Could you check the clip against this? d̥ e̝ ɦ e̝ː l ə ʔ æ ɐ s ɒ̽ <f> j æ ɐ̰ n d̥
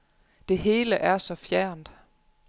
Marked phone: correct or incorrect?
correct